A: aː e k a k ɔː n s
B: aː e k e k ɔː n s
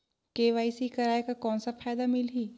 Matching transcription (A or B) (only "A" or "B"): A